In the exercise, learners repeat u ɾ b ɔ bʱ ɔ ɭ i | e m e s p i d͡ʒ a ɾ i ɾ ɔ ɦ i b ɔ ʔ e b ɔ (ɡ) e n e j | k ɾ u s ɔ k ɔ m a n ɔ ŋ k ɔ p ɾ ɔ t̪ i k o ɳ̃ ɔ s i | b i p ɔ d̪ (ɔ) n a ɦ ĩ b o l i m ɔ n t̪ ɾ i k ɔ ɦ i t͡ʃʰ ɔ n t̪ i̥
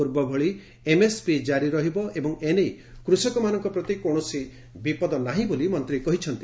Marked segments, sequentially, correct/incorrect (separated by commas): incorrect, correct